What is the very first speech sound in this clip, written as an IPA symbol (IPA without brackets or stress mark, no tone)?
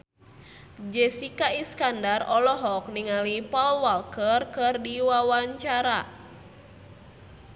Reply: d͡ʒ